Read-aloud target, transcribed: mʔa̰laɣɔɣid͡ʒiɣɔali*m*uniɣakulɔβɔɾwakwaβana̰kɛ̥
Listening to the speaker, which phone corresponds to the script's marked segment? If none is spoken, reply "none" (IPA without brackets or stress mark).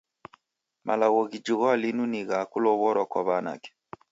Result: n